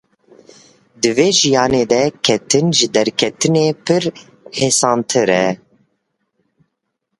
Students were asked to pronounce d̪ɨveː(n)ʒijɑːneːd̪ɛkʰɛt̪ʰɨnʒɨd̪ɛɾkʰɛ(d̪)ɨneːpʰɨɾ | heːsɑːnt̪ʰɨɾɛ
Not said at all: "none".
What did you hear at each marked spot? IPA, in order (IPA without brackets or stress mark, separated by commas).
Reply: none, t̪